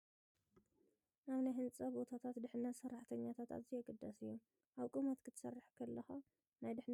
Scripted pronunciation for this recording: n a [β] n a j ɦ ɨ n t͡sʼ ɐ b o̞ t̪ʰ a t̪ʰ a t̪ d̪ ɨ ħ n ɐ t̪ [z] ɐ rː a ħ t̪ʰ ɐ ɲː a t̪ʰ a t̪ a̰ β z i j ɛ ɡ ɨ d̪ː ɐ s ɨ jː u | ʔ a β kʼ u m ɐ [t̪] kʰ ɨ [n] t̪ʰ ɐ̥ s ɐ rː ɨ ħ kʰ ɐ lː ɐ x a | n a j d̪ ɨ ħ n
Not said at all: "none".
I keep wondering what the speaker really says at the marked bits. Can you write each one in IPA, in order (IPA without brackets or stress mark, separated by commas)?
β, s, t̪, none